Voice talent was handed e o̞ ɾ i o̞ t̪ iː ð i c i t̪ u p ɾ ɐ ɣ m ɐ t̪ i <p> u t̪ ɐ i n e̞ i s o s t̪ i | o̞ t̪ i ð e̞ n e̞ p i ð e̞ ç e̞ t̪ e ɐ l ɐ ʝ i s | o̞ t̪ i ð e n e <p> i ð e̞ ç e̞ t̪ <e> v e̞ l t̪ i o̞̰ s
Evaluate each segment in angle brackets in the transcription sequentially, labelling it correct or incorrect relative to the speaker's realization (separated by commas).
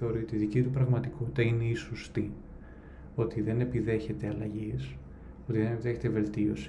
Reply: incorrect, correct, correct